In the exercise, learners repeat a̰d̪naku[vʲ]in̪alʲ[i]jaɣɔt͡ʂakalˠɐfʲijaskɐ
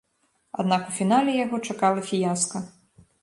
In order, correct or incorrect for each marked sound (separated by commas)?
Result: incorrect, incorrect